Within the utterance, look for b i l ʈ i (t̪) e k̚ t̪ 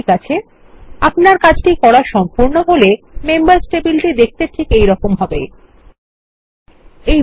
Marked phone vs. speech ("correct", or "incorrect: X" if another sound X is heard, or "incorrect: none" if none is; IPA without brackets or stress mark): incorrect: d̪